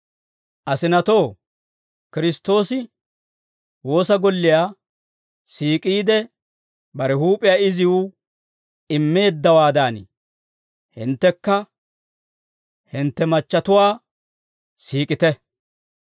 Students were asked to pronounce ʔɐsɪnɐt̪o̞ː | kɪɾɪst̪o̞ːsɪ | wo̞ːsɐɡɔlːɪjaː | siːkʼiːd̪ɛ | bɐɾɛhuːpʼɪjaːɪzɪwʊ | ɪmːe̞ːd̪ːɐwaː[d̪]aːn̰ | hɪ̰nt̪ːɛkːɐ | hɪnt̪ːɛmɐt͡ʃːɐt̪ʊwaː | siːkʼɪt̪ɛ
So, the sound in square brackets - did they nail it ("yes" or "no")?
yes